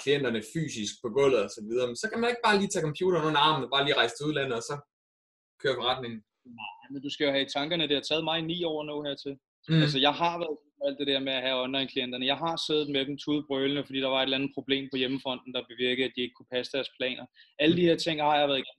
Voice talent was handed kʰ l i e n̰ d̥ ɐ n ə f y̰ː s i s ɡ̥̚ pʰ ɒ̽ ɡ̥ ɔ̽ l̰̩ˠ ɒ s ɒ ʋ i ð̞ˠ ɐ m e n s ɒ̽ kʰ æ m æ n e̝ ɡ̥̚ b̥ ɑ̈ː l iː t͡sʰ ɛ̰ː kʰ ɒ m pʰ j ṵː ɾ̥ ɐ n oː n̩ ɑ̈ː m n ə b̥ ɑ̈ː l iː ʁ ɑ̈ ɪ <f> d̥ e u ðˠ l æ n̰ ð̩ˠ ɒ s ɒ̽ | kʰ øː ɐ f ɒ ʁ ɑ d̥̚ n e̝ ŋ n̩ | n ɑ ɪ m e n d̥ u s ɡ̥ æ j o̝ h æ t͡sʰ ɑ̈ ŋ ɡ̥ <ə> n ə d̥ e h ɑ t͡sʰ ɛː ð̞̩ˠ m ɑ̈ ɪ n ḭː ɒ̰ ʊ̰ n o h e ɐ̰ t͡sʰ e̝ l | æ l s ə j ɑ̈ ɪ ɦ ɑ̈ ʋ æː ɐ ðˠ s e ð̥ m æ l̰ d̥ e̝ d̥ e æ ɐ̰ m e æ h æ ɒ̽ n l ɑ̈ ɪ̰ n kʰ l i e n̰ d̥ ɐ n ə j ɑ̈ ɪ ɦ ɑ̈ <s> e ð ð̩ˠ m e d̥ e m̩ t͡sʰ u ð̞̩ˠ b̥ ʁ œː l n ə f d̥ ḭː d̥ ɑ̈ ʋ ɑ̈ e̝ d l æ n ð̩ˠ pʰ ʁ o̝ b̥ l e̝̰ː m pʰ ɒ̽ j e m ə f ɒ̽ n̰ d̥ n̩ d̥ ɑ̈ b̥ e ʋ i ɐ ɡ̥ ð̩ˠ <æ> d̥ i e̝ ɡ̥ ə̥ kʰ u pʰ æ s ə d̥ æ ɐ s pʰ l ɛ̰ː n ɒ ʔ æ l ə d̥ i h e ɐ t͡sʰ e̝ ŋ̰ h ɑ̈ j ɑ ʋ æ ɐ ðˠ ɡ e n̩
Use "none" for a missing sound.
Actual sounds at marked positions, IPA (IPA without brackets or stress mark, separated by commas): s, ɐ, s, æ